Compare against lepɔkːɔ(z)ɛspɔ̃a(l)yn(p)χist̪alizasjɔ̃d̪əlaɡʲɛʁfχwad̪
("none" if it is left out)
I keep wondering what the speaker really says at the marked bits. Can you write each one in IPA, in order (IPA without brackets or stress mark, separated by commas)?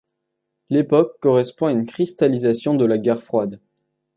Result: ʁ, none, k